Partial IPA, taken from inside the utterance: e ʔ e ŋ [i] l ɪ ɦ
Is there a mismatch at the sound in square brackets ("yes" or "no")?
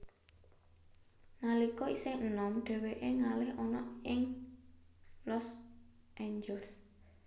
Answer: yes